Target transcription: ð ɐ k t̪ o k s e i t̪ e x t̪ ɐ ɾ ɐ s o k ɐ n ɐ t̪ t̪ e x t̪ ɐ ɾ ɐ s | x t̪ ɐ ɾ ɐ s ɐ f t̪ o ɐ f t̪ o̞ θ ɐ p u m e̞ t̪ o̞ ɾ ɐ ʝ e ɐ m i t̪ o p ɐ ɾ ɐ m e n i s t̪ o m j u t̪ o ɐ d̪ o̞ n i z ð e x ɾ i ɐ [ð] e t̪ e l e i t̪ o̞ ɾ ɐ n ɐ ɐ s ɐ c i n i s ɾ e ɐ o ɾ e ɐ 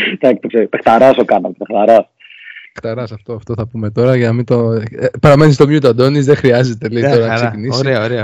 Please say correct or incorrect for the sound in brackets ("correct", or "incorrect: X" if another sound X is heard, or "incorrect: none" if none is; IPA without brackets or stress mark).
incorrect: z